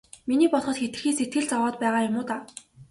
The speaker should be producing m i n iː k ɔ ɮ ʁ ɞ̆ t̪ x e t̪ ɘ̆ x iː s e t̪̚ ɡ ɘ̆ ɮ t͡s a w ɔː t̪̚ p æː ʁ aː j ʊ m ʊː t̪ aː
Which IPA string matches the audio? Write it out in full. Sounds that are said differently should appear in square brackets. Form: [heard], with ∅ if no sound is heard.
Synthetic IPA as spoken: m i n iː [p] ɔ ɮ [χ] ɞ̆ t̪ x e t̪ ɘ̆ x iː s e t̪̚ ɡ ɘ̆ ɮ t͡s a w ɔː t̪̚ p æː ʁ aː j ʊ m ʊː t̪ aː